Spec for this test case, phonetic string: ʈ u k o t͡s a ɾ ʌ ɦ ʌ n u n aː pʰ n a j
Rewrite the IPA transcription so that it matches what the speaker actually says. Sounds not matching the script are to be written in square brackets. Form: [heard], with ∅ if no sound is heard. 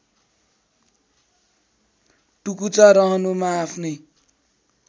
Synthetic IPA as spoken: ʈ u k [u] t͡s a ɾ ʌ ɦ ʌ n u [m] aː pʰ n [ʌ] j